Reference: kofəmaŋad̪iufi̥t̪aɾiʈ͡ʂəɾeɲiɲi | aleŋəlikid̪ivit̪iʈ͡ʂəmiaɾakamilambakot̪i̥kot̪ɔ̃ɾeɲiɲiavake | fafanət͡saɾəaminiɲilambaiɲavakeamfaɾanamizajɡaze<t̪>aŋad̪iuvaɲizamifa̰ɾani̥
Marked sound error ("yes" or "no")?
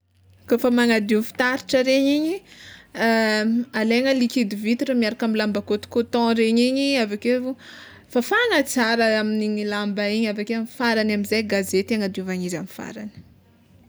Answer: no